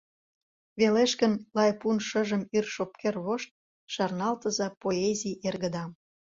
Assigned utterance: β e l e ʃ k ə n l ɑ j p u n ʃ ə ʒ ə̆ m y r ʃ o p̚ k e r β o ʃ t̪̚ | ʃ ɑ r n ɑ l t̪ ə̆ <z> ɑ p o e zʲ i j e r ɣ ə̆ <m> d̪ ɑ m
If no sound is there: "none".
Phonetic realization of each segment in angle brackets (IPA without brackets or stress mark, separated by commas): z, none